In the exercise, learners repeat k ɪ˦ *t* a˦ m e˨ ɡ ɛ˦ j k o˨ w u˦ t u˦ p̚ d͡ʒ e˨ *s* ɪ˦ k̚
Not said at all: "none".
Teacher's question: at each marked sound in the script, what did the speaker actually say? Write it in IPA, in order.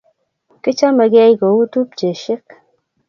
t͡ʃ, ʃ

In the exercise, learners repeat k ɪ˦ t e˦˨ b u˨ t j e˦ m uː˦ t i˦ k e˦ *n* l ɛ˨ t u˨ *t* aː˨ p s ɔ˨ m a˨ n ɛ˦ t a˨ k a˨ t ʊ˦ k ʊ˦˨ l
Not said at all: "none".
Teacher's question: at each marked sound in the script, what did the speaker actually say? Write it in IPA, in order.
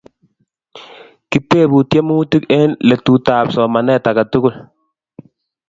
n, t

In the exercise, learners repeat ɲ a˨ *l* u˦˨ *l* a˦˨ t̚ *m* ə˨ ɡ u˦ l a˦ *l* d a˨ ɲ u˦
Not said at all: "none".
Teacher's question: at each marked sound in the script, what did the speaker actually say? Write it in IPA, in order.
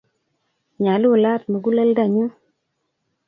l, l, m, l

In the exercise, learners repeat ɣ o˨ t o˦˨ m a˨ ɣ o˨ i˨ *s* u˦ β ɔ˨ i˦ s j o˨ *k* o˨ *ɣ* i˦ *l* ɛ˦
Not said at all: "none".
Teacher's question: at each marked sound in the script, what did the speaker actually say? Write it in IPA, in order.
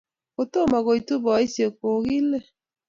t, k, ɣ, l

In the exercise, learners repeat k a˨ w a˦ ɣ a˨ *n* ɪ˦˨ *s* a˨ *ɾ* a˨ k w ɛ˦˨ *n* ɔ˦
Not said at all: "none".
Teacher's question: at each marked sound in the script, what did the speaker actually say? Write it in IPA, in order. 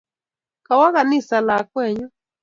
n, s, l, ɲ

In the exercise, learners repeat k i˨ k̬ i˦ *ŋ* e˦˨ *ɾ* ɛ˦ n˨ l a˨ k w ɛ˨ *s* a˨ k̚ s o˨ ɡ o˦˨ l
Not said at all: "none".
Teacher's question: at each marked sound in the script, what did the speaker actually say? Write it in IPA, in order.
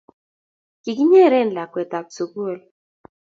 ɲ, ɾ, t

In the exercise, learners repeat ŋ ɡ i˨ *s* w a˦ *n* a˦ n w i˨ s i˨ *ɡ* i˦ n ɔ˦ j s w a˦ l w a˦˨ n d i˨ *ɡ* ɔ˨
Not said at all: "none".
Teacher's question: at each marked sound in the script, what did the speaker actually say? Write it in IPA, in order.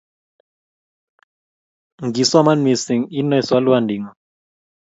s, m, ŋ, ŋ

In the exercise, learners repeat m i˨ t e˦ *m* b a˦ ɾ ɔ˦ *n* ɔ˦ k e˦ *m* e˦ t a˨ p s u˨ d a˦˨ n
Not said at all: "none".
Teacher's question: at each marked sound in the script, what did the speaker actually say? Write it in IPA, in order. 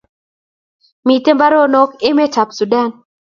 m, n, m

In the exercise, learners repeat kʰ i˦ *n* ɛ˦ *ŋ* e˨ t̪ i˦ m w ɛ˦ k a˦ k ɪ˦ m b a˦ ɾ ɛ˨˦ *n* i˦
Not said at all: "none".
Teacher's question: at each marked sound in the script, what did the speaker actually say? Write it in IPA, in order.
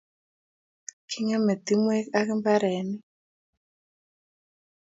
ŋ, m, n

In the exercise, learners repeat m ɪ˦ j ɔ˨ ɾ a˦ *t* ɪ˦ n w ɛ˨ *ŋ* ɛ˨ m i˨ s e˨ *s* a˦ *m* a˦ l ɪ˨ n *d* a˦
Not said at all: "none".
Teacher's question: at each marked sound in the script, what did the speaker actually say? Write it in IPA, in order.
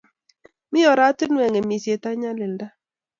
t, ŋ, t, ɲ, d

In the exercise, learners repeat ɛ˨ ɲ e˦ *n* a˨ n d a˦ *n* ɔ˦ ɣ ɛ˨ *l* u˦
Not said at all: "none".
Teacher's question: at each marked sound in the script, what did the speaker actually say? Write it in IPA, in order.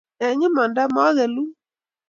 m, m, l

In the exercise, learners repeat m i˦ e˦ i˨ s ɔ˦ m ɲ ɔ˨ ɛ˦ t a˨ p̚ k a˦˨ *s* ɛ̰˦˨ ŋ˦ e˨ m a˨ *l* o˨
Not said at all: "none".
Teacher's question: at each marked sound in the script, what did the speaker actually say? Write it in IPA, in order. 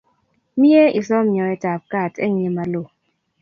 t, l

